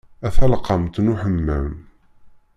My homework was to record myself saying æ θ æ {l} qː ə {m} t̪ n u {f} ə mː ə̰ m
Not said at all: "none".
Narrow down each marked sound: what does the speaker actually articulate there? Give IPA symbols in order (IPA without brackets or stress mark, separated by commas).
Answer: l, m, ħ